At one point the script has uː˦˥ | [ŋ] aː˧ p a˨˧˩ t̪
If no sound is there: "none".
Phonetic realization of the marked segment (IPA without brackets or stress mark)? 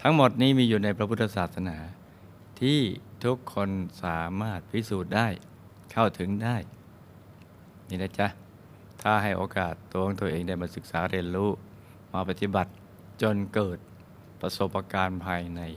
m